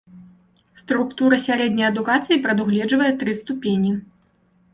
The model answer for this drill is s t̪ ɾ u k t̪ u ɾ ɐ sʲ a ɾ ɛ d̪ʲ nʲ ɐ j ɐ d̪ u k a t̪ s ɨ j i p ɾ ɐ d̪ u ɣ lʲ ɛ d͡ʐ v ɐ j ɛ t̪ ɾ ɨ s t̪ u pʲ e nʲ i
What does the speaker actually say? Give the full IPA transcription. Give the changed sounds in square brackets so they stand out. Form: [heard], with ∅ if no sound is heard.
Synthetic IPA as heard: s t̪ ɾ u k t̪ u ɾ ɐ sʲ a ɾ ɛ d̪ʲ nʲ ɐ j ɐ d̪ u k a t̪ s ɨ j i p ɾ ɐ d̪ u ɣ lʲ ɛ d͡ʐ v ɐ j ɛ t̪ ɾ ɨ s t̪ u pʲ e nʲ i